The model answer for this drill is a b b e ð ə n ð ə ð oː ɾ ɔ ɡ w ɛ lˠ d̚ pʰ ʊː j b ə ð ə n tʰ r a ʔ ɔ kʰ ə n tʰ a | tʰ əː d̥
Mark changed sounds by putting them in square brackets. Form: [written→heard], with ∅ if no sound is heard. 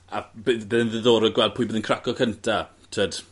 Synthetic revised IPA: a b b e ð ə n ð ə ð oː ɾ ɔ ɡ w ɛ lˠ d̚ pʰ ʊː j b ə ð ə n [tʰ→kʰ] r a [ʔ→k] ɔ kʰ ə n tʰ a | tʰ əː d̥

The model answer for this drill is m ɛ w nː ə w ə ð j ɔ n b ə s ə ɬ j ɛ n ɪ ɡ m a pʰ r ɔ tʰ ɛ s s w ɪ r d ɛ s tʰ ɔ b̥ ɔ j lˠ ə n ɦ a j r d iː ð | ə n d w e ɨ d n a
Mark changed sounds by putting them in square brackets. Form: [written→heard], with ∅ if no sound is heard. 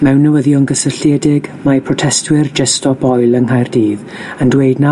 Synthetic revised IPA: m ɛ w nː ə w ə ð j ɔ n [b→ɡ] ə s ə ɬ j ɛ [n→d] ɪ ɡ m a pʰ r ɔ tʰ ɛ s [s→t] w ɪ r [d→d͡ʒ] ɛ s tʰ ɔ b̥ ɔ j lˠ ə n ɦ a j r d iː ð | ə n d w e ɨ d n a

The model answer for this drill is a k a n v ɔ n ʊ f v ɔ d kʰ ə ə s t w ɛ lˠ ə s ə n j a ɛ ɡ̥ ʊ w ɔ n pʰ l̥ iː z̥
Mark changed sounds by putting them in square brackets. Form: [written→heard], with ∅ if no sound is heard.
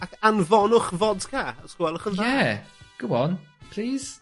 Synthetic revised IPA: a k a n v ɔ n ʊ [f→χ] v ɔ d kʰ [ə→a] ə s [t→k] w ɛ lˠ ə [s→χ] ə n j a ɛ ɡ̥ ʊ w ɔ n pʰ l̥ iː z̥

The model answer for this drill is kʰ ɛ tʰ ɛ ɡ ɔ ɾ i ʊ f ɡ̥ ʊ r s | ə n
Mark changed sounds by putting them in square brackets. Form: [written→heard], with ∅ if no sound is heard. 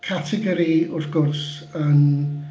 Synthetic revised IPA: kʰ [ɛ→a] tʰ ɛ ɡ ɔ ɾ i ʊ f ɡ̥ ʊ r s | ə n

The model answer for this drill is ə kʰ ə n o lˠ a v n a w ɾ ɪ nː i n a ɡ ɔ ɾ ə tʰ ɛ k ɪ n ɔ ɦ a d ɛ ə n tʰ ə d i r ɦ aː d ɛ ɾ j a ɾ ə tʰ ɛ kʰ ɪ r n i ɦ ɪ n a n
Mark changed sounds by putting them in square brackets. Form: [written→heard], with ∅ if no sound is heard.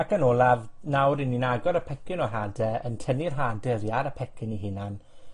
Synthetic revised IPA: [ə→a] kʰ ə n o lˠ a v n a w ɾ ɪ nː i n a ɡ ɔ ɾ ə [tʰ→pʰ] ɛ k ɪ n ɔ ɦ a d ɛ ə n tʰ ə [d→n] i r ɦ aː d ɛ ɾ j a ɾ ə [tʰ→pʰ] ɛ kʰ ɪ [r→∅] n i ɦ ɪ n a n

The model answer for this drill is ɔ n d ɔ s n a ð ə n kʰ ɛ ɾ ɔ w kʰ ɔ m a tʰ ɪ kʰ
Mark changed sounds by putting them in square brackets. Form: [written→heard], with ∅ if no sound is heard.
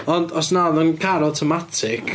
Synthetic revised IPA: ɔ n d ɔ s n a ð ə n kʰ [ɛ→a] ɾ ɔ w [kʰ→tʰ] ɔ m a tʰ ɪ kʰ

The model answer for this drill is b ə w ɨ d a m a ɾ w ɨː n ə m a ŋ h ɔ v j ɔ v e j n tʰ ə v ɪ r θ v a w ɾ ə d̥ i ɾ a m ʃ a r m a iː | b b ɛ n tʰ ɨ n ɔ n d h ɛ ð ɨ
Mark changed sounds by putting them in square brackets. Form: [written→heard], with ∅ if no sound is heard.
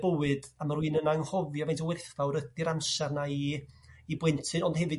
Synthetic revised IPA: b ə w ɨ d a m a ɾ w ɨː n ə [m→n] a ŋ h ɔ v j ɔ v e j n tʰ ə [v→w] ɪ r θ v a w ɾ ə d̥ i ɾ a m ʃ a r [m→n] a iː | b [b→w] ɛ n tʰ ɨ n ɔ n d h ɛ [ð→v] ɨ

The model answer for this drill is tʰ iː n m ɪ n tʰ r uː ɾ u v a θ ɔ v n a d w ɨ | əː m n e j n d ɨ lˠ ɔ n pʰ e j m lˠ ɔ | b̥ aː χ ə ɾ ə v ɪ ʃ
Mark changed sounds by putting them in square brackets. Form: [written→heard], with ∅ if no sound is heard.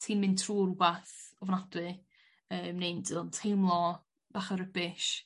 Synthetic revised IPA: tʰ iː n m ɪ n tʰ r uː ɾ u [v→b] a θ ɔ v n a d w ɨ | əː m n e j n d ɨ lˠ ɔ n [pʰ→tʰ] e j m lˠ ɔ | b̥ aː χ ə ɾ ə [v→b] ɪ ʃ

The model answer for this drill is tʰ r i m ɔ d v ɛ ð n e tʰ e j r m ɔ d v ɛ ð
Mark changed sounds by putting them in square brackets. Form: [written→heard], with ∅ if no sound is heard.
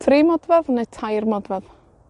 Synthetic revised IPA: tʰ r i m ɔ d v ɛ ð n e tʰ [e→a] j r m ɔ d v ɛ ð

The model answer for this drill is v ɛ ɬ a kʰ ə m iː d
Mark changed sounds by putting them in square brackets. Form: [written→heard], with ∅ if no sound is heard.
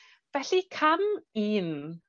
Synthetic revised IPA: v ɛ ɬ [a→i] kʰ [ə→a] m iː [d→n]

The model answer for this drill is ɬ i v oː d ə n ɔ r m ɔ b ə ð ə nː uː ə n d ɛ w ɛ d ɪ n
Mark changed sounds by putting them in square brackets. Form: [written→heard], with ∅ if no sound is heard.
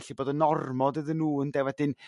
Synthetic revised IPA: ɬ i [v→b] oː d ə n ɔ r m ɔ [b→d] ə ð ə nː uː ə n d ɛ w ɛ d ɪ n

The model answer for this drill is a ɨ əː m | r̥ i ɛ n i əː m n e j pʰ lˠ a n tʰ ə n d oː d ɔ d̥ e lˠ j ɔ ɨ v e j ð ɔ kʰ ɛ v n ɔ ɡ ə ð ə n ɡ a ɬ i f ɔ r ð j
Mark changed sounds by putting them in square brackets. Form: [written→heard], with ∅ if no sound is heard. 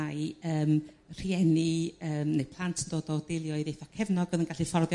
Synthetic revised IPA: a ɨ əː m | r̥ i ɛ n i əː m n e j pʰ lˠ a n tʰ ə n d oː d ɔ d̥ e lˠ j ɔ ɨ [v→ð] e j [ð→θ] ɔ kʰ ɛ v n ɔ ɡ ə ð ə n ɡ a ɬ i f ɔ r ð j

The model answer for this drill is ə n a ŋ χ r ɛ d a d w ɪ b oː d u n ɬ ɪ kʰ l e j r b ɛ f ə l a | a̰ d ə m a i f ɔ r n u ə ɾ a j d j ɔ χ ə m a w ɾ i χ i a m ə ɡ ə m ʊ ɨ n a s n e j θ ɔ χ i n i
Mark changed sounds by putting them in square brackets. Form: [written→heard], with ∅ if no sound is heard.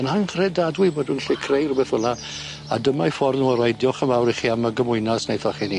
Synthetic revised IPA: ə n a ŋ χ r ɛ d a d w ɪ b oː d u n ɬ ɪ kʰ [l→r] e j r b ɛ [f→θ] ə l a | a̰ d ə m a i f ɔ r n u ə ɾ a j d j ɔ χ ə m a w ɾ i χ i a m ə ɡ ə m ʊ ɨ n a s n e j θ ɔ χ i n i

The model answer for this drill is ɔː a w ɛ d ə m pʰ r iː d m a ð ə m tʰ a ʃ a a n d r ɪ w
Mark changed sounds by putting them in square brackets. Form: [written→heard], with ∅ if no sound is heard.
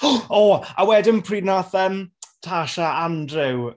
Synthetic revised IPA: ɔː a w ɛ d ə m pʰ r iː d [m→n] a [ð→θ] ə m tʰ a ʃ a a n d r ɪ w

